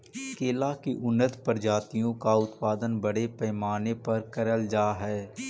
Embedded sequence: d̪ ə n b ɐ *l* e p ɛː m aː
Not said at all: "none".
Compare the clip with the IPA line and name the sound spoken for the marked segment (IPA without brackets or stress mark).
ɽ